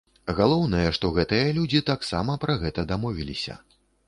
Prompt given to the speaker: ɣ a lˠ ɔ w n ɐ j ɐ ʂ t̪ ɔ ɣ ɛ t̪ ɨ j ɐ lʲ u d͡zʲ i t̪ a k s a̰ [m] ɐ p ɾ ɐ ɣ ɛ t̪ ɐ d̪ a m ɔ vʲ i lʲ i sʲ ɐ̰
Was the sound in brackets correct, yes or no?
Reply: yes